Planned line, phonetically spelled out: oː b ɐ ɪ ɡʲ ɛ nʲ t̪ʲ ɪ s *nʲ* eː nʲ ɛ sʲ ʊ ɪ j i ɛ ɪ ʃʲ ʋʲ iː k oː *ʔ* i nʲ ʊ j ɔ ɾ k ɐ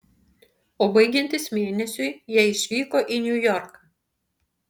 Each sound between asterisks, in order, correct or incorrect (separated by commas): incorrect, correct